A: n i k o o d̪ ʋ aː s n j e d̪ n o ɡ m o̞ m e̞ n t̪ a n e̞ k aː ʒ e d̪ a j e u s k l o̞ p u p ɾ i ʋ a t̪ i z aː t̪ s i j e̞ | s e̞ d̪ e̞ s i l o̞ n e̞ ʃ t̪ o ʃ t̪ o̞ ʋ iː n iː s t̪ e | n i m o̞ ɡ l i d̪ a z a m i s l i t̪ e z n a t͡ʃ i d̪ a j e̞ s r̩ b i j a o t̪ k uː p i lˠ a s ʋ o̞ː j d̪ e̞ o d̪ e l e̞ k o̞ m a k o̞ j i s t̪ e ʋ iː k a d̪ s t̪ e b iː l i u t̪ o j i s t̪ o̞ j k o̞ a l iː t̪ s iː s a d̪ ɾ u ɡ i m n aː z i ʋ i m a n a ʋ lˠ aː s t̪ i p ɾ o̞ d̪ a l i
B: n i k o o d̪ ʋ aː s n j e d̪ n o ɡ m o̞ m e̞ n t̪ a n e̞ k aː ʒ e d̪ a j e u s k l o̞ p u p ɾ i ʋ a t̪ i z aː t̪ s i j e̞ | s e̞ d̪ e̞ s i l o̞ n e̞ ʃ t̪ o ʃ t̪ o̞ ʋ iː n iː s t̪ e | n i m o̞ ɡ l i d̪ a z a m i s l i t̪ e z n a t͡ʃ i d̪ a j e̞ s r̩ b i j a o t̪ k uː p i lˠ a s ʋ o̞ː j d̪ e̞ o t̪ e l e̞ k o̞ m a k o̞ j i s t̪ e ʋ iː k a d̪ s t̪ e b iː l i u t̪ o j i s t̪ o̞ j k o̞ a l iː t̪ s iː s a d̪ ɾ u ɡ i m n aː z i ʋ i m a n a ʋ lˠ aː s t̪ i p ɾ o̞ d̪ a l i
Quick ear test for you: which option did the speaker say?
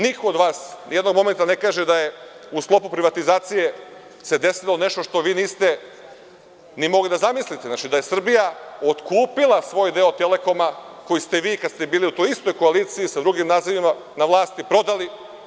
B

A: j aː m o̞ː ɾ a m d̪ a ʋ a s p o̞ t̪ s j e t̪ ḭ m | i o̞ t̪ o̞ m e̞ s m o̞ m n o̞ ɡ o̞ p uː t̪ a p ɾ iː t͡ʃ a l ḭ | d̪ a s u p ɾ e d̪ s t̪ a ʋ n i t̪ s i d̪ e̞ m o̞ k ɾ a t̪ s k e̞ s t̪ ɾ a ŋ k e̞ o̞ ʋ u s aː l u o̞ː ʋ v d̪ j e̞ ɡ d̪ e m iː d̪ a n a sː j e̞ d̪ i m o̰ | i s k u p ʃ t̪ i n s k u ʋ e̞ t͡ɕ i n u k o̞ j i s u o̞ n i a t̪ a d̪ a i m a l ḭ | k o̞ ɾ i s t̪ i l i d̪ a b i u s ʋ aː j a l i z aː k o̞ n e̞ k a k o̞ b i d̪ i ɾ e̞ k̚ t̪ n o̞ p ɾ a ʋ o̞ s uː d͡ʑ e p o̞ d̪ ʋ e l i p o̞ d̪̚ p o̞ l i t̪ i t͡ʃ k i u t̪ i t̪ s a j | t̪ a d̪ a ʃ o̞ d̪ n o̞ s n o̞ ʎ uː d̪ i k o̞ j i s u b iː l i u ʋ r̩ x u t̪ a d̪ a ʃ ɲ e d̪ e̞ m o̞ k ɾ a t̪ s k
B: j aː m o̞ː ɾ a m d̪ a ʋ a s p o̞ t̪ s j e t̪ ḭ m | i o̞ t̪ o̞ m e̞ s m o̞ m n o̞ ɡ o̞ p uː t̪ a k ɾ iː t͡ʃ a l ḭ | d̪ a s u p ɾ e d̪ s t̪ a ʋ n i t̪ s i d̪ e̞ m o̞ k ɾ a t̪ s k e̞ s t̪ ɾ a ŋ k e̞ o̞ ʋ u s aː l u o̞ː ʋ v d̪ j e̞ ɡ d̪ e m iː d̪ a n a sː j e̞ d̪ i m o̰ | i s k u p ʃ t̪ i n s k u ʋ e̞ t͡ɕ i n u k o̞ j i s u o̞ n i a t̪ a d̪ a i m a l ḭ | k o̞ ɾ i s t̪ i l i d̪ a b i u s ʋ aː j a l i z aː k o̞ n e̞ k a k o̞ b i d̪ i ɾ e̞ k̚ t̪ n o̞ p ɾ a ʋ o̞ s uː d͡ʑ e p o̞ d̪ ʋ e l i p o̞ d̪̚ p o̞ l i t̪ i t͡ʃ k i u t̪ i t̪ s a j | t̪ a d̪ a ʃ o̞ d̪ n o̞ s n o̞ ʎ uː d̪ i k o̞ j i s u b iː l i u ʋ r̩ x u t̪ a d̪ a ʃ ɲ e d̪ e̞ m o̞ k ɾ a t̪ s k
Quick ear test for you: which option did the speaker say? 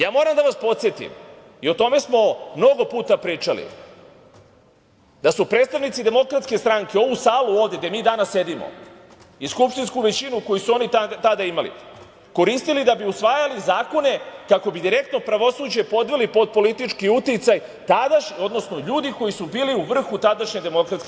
A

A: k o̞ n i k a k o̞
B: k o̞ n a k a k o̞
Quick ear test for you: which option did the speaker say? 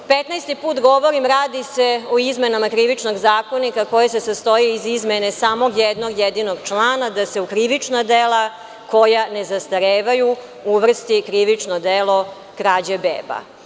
A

